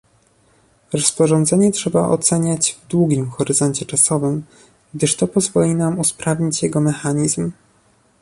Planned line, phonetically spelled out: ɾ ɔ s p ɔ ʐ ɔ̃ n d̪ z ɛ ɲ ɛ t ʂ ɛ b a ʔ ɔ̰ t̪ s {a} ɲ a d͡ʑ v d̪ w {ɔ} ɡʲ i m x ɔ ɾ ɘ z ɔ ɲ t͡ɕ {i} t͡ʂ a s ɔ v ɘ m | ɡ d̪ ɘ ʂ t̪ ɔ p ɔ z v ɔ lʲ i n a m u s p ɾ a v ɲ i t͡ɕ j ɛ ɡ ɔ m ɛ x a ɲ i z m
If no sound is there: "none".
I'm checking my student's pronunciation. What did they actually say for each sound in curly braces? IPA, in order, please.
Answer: ɛ, u, ɛ

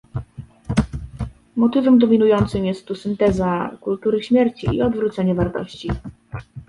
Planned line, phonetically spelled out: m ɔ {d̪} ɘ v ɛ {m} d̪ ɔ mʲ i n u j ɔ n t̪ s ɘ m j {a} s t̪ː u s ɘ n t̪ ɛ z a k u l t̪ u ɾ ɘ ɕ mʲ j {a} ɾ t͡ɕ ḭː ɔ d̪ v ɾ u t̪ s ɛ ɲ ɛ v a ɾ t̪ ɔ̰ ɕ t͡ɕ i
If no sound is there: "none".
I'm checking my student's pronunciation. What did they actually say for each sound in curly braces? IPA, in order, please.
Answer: t̪, m, ɛ, ɛ

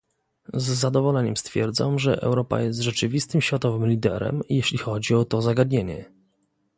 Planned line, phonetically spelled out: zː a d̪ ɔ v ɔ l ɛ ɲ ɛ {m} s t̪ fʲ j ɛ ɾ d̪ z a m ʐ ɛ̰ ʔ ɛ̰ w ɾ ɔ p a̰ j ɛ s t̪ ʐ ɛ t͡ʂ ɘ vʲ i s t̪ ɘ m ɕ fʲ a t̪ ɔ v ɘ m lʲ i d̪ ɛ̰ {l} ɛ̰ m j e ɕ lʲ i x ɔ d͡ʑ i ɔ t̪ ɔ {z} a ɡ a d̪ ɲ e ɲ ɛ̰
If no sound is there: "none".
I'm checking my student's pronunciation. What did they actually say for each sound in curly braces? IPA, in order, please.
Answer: m, ɾ, z

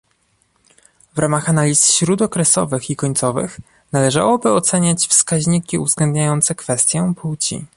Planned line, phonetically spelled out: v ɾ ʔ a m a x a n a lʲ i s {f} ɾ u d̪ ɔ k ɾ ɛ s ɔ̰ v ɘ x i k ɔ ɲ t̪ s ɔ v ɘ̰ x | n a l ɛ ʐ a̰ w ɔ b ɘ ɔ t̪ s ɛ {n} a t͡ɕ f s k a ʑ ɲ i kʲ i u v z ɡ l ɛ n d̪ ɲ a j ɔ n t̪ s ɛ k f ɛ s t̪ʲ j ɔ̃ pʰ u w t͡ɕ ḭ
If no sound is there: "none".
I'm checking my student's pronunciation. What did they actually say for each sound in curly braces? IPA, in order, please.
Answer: ɕ, ɲ

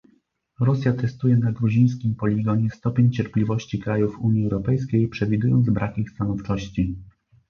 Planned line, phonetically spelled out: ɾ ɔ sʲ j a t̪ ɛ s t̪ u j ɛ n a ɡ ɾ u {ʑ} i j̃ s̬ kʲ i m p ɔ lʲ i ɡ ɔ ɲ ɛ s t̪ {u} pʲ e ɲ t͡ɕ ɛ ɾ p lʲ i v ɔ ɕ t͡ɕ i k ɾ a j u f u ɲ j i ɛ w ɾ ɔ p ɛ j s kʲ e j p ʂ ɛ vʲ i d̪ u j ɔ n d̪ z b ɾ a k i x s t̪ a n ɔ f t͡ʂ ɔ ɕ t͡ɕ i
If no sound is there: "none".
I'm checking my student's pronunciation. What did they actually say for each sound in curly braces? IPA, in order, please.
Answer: ʑ, ɔ

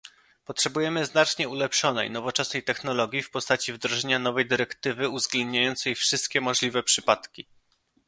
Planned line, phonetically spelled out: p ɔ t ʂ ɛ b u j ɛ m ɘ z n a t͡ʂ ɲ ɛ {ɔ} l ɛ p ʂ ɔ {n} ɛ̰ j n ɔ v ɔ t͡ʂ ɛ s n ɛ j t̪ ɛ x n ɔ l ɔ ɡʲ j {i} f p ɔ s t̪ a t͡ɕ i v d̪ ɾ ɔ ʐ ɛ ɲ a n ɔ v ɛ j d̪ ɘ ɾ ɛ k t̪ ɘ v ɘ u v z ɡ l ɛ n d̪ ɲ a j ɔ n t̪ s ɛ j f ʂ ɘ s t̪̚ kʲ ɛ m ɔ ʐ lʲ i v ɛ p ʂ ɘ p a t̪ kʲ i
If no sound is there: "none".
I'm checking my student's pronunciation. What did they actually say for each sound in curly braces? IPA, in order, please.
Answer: u, n, i

